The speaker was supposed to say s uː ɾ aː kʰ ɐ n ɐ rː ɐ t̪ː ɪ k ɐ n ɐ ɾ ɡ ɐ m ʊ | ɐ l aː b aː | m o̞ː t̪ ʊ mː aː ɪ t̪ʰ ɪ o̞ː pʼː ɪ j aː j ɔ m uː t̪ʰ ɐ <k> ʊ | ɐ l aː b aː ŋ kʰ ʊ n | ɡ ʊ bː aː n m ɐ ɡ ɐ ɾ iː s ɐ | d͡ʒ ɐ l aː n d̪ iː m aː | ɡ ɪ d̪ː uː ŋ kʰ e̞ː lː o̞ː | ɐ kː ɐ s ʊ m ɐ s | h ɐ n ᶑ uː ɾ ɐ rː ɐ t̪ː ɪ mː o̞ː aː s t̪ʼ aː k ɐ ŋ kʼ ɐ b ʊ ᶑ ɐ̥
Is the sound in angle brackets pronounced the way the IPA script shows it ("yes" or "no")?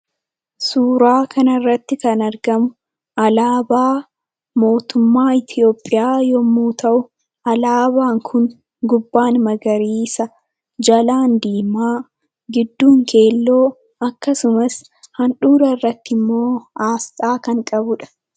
no